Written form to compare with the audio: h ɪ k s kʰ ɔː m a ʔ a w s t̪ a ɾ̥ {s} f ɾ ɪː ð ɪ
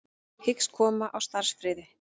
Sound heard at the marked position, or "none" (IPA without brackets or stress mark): s